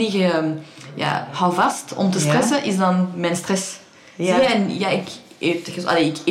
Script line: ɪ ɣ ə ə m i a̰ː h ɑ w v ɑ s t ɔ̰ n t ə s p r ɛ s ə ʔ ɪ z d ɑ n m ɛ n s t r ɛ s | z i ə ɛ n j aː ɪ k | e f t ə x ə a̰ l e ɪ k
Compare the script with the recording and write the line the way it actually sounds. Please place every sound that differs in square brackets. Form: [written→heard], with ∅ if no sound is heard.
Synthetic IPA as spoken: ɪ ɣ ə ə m [i→j] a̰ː h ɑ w v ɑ s t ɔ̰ [n→m] t ə s [p→t] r ɛ s ə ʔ ɪ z d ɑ n m ɛ n s t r ɛ s | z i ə ɛ n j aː ɪ k | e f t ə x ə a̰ l e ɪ k